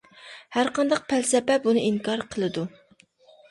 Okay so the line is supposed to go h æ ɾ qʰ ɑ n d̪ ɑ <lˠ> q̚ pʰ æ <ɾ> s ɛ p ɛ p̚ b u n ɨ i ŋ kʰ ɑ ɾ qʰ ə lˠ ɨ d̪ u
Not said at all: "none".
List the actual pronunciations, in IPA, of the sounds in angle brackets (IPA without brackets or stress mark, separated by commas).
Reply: none, l